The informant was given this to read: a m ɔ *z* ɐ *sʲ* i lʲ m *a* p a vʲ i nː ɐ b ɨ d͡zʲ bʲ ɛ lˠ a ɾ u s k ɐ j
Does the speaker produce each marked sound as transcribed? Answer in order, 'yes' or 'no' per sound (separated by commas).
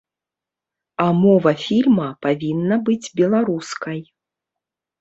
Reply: no, no, no